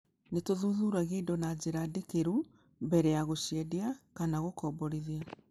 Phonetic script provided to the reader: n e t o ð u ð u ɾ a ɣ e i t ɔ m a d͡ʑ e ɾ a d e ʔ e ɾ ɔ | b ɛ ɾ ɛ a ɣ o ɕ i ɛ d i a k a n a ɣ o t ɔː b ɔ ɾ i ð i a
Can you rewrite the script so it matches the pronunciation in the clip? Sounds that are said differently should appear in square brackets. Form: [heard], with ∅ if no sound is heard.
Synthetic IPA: n e t o ð u ð u ɾ a ɣ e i [d] ɔ [n] a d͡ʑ e ɾ a d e [k] e ɾ [u] | b ɛ ɾ ɛ a ɣ o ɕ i ɛ d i a k a n a ɣ o [k] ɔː b ɔ ɾ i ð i a